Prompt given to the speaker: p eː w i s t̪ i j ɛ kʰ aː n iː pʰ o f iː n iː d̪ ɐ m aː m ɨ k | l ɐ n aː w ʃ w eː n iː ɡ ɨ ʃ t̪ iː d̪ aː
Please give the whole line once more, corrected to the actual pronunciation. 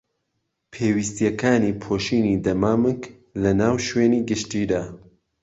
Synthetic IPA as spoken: pʰ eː w i s t̪ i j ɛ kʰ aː n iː pʰ o ʃ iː n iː d̪ ɐ m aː m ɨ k | l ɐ n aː w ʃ w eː n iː ɡ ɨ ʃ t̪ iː d̪ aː